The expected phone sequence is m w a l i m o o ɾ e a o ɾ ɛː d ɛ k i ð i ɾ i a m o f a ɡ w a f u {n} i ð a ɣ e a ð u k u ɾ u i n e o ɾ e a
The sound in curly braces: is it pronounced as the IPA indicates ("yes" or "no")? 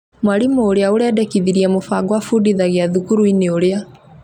no